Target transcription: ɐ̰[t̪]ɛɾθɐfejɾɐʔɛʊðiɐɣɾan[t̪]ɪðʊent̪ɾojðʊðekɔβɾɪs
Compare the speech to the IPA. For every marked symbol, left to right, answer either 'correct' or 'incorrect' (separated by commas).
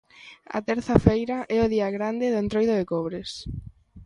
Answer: correct, incorrect